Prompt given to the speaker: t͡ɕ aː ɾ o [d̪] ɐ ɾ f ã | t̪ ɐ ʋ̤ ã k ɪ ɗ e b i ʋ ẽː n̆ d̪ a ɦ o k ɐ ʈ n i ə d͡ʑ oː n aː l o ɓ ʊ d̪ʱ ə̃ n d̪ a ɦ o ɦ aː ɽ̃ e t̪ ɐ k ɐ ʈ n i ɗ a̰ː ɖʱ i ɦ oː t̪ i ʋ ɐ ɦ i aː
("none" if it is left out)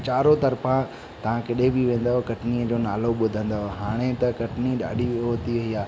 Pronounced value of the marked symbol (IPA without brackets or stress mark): t̪